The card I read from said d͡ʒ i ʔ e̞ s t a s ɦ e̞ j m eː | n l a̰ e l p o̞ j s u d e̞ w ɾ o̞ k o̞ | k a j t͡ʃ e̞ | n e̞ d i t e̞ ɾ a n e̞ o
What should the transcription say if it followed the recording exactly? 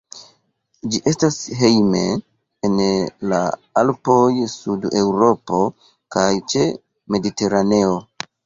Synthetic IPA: d͡ʒ i ʔ e̞ s t a s ɦ e̞ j m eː | n l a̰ a l p o̞ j s u d e̞ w ɾ o̞ p o̞ | k a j t͡ʃ e̞ | m e̞ d i t e̞ ɾ a n e̞ o

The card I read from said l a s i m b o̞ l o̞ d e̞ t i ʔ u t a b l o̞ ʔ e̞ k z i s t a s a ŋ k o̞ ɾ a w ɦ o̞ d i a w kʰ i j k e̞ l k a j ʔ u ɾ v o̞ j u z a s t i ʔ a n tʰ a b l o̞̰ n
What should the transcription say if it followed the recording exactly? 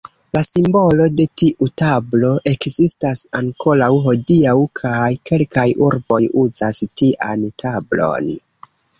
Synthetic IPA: l a s i m b o̞ l o̞ d e̞ t i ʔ u t a b l o̞ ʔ e̞ k z i s t a s a ŋ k o̞ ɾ a w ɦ o̞ d i a w kʰ a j k e̞ l k a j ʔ u ɾ b o̞ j u z a s t i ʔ a n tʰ a b l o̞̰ n

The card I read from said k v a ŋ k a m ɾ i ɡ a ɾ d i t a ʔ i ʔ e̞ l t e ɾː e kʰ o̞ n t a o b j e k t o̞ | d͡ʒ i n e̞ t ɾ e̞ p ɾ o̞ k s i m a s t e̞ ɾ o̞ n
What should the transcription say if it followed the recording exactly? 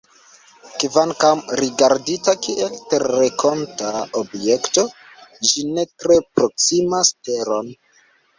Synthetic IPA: k v a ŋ k a m ɾ i ɡ a ɾ d i t a k i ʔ e̞ l t e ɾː e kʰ o̞ n t a o b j e k t o̞ | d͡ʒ i n e̞ t ɾ e̞ p ɾ o̞ k s i m a s t e̞ ɾ o̞ n

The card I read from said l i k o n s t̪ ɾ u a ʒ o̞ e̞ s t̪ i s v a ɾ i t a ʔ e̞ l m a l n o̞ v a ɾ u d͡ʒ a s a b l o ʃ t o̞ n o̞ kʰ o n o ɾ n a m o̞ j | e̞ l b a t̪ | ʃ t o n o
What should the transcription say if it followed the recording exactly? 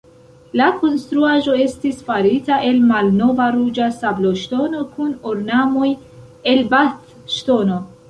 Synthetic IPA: l a k o n s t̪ ɾ u a ʒ o̞ e̞ s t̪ i s f a ɾ i t a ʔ e̞ l m a l n o̞ v a ɾ u d͡ʒ a s a b l o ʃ t o̞ n o̞ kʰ u n o ɾ n a m o̞ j | e̞ l b a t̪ | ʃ t o n o

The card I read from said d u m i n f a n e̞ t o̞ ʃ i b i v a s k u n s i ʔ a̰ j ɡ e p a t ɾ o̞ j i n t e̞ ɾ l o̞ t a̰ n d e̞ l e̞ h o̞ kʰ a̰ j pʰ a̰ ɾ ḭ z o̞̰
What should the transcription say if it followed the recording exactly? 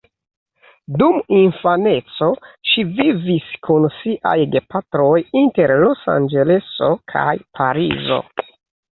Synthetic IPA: d u m i n f a n e̞ t͡s o̞ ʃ i v i v i s k u n s i ʔ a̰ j ɡ e p a t ɾ o̞ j i n t e̞ ɾ l o̞ s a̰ n d͡ʒ e̞ l e̞ s o̞ kʰ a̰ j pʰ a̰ ɾ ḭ z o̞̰

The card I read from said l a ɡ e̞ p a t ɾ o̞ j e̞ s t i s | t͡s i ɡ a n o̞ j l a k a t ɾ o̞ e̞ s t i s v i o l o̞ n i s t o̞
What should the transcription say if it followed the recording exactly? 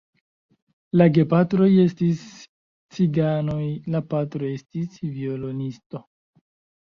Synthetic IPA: l a ɡ e̞ p a t ɾ o̞ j e̞ s t i s | t͡s i ɡ a n o̞ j l a p a t ɾ o̞ e̞ s t i s v i o l o̞ n i s t o̞

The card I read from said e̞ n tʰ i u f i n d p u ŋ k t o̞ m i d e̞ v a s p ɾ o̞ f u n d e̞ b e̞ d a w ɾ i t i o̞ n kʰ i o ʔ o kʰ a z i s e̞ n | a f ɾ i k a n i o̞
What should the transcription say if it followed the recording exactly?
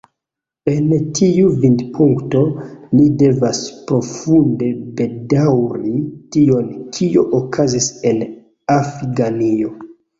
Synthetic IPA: e̞ n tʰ i u v i n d p u ŋ k t o̞ n i d e̞ v a s p ɾ o̞ f u n d e̞ b e̞ d a w ɾ i t i o̞ n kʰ i o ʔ o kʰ a z i s e̞ n | a f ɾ i ɡ a n i o̞

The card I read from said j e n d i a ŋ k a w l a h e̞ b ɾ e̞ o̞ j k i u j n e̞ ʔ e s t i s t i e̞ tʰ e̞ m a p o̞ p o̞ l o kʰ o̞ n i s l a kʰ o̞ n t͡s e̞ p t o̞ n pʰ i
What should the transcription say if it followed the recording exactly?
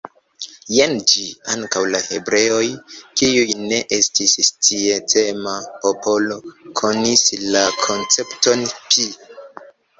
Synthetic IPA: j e n d͡ʒ i a ŋ k a w l a h e̞ b ɾ e̞ o̞ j k i u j n e̞ ʔ e s t i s t i e̞ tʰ e̞ m a p o̞ p o̞ l o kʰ o̞ n i s l a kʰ o̞ n t͡s e̞ p t o̞ n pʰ i

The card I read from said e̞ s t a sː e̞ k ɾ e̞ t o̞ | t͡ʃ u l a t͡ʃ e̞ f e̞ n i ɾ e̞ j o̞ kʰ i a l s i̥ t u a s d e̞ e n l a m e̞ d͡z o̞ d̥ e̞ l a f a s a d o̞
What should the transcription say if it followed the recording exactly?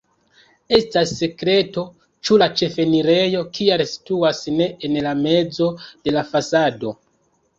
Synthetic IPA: e̞ s t a sː e̞ k ɾ e̞ t o̞ | t͡ʃ u l a t͡ʃ e̞ f e̞ n i ɾ e̞ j o̞ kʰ i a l s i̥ t u a s n e̞ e n l a m e̞ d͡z o̞ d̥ e̞ l a f a s a d o̞

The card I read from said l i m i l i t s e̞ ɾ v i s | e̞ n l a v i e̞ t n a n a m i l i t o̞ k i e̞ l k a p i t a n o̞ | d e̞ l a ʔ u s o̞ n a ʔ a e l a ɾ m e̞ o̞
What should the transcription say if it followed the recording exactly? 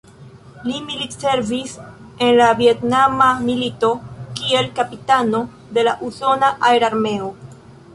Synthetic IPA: l i m i l i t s e̞ ɾ v i s | e̞ n l a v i e̞ t n a m a m i l i t o̞ k i e̞ l k a p i t a n o̞ | d e̞ l a ʔ u s o̞ n a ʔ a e ɾ a ɾ m e̞ o̞

